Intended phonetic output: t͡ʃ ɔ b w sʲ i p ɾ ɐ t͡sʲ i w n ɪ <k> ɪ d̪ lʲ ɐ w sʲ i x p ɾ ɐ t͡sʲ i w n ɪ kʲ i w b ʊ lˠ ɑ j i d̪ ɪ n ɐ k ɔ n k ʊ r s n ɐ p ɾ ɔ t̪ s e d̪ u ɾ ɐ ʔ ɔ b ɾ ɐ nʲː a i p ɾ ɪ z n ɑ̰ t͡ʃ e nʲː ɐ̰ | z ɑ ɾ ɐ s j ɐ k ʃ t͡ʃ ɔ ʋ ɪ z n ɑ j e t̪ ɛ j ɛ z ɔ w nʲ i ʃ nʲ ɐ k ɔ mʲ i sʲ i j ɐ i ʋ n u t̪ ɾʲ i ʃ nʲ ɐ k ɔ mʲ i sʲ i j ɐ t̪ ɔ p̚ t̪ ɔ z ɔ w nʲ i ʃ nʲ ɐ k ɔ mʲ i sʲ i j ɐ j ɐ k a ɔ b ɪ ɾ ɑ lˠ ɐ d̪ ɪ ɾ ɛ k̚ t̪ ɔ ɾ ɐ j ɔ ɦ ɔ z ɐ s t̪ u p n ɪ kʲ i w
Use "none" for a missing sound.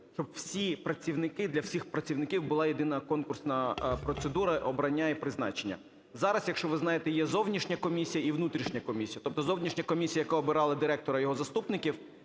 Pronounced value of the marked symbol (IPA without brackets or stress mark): k